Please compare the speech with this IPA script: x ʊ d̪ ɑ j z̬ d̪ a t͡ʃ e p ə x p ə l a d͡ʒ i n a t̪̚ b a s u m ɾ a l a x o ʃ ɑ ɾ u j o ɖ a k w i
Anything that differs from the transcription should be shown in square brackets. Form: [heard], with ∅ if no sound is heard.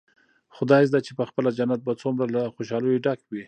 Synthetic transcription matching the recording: x ʊ d̪ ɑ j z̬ d̪ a t͡ʃ e p ə x p ə l a d͡ʒ [a] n a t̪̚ b a [t͡s] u m ɾ a l a x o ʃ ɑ [l] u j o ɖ a k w i

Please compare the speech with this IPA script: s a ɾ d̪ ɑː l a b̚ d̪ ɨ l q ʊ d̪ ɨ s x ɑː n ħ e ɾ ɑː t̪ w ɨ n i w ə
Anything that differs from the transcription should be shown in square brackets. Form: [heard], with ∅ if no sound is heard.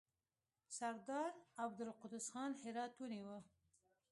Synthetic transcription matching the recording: s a ɾ d̪ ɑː [ɾ] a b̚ d̪ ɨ l q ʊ d̪ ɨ s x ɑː n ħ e ɾ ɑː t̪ w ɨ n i w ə

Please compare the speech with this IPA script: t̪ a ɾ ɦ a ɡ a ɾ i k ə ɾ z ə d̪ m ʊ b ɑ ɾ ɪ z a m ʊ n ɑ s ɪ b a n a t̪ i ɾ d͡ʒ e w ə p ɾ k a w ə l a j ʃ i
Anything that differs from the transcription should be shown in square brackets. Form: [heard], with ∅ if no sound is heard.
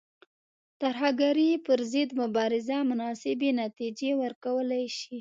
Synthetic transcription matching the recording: t̪ a ɾ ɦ a ɡ a ɾ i [p] ə ɾ z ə d̪ m ʊ b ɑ ɾ ɪ z a m ʊ n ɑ s ɪ b [e] n a t̪ i [∅] d͡ʒ e w ə [∅] ɾ k a w ə l a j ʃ i

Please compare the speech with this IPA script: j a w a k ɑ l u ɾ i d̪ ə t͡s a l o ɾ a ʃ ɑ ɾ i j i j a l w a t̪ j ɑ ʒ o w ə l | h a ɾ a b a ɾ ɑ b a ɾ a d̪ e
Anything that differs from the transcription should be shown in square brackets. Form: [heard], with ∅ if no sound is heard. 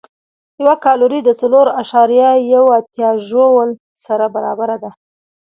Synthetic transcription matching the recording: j a w a k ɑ l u ɾ i d̪ ə t͡s a l o ɾ a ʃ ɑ ɾ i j [a] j a [∅] w a t̪ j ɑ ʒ o w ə l | [s] a ɾ a b a ɾ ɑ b a ɾ a d̪ [a]

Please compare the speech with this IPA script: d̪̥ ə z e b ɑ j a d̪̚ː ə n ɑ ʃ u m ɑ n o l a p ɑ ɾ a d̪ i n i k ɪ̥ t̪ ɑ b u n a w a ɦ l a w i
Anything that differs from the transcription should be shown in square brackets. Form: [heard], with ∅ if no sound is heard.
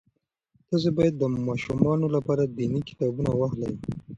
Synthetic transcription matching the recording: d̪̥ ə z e b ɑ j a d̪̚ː ə [m] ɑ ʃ u m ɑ n o l a p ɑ ɾ a d̪ i n i k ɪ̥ t̪ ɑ b u n a w a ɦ l a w i

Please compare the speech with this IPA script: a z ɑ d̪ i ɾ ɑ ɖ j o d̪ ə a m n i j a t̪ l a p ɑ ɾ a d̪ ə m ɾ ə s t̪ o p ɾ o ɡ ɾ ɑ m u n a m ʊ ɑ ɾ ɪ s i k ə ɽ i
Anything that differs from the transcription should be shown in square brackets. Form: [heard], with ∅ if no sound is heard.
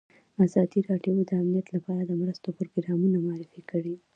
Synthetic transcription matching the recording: a z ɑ d̪ i ɾ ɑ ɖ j o d̪ ə a m n i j a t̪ l a p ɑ ɾ a d̪ ə m ɾ ə s t̪ o p ɾ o ɡ ɾ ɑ m u n a m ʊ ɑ ɾ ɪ [f] i k ə ɽ i

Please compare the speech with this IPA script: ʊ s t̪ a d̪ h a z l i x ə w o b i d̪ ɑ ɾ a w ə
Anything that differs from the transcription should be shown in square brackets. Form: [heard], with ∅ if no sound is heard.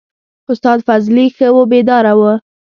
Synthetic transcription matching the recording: ʊ s t̪ [ɑ] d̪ [f] a z l i x ə w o b [e] d̪ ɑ ɾ a w ə

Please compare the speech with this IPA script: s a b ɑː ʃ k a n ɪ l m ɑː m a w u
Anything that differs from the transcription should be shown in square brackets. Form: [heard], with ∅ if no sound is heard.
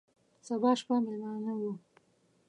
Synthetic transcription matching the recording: s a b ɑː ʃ [p] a [m] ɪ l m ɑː [n] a w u

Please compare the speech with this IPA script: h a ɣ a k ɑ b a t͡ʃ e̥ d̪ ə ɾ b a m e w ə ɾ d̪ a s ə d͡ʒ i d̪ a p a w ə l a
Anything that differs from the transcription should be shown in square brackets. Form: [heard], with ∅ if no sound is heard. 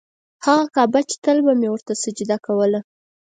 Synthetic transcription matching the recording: h a ɣ a k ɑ b a t͡ʃ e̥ [t̪] ə [l] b a m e w ə ɾ [t̪] a s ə d͡ʒ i d̪ a [k] a w ə l a

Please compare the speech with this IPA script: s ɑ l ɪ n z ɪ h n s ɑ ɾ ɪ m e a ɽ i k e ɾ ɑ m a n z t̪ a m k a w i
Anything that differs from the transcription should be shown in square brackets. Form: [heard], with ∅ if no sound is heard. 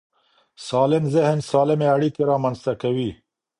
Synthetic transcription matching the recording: s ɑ l ɪ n z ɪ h n s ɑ [l] ɪ m e a ɽ i k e ɾ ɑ m a n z t̪ a [∅] k a w i

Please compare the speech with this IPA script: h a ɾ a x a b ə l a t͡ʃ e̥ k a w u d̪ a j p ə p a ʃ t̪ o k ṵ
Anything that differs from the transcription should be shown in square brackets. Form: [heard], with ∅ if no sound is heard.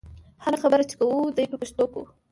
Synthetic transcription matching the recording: h a ɾ a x a b ə [ɾ] a t͡ʃ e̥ k a w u d̪ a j p ə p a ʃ t̪ o k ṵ

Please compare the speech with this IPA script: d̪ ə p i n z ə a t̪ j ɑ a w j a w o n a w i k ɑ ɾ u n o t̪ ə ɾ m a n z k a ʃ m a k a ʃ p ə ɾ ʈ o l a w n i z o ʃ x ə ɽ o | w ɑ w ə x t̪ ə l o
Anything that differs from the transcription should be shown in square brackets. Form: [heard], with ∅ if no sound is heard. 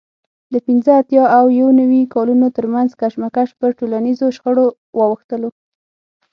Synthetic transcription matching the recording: d̪ ə p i n z ə a t̪ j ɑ a w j a w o n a w i k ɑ [l] u n o t̪ ə ɾ m a n z k a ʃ m a k a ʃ p ə ɾ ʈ o l a [∅] n i z o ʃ x ə ɽ o | w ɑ w ə x t̪ ə l o

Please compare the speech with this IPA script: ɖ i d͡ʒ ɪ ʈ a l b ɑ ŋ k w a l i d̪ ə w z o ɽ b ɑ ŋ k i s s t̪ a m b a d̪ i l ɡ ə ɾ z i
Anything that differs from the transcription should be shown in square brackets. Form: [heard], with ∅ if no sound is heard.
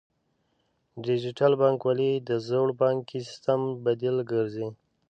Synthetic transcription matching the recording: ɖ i d͡ʒ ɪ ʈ a l b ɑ ŋ k w a l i d̪ ə [∅] z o ɽ b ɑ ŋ k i s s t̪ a m b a d̪ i l ɡ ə ɾ z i

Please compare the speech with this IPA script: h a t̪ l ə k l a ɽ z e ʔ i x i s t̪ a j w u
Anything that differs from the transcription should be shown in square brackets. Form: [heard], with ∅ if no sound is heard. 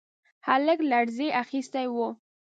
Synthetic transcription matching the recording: h a [∅] l ə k l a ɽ z e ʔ [a] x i s t̪ a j w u

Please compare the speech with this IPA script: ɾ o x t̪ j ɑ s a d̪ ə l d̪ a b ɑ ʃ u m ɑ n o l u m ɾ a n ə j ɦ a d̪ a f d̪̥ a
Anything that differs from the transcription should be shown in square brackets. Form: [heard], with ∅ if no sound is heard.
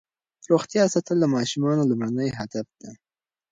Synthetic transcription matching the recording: ɾ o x t̪ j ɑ s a [t̪] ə l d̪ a [m] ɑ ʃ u m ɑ n o l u m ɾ a n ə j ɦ a d̪ a f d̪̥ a

